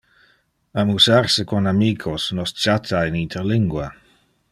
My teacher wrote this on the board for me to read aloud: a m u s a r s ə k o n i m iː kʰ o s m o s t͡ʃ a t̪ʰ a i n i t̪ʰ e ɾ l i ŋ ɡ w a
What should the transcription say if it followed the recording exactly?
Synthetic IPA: a m u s a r s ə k o n a m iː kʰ o s n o s t͡ʃ a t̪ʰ a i n i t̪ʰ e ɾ l i ŋ ɡ w a

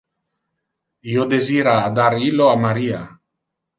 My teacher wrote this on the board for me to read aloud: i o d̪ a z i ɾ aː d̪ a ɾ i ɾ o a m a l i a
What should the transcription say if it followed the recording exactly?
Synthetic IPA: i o d̪ e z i ɾ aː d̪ a ɾ i l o a m a ɾ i a

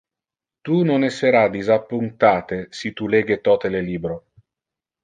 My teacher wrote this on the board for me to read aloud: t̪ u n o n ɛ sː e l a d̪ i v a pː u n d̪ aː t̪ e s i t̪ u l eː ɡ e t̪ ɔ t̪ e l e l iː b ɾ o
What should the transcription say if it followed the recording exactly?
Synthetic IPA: t̪ u n o n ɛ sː e ɾ a d̪ i z a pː u n t̪ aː t̪ e s i t̪ u l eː ɡ e t̪ ɔ t̪ e l e l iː b ɾ o

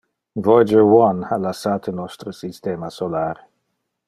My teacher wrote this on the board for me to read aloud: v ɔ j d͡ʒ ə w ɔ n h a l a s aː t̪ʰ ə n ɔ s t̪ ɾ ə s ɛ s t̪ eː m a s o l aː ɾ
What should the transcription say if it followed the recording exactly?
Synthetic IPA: v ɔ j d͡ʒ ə w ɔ n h a l a s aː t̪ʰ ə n ɔ s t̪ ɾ ə s i s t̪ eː m a s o l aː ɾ

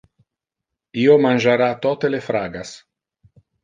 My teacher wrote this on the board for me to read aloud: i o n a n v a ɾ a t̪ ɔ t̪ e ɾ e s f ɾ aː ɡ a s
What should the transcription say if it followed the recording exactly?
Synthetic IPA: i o m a n ʒ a ɾ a t̪ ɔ t̪ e l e f ɾ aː ɡ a s

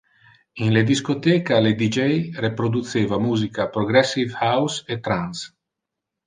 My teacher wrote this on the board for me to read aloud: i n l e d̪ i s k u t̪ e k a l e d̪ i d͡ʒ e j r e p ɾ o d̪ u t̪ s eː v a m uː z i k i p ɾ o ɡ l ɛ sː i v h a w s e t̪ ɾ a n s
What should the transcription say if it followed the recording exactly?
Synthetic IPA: i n l e d̪ i s k o t̪ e k a l e d̪ i d͡ʒ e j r e p ɾ o d̪ u t̪ s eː v a m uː z i k a p ɾ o ɡ ɾ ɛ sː i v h a w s e t̪ ɾ a n s

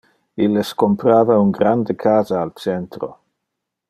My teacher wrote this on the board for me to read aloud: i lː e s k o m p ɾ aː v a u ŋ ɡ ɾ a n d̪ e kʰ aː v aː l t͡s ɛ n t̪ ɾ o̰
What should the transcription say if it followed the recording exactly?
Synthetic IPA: i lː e s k o m p ɾ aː v a u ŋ ɡ ɾ a n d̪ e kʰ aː z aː l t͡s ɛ n t̪ ɾ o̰

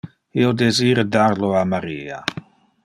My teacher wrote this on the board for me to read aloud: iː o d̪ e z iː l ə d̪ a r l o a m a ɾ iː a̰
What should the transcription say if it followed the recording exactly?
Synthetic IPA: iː o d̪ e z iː ɾ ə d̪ a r l o a m a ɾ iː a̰

